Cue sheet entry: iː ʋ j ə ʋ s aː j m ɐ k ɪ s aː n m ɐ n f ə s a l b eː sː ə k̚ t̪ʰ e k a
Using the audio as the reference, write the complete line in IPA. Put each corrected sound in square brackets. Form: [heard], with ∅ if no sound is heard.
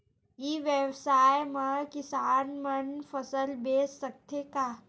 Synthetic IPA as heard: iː ʋ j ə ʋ s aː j m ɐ k ɪ s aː n m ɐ n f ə s [ə] l b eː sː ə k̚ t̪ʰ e k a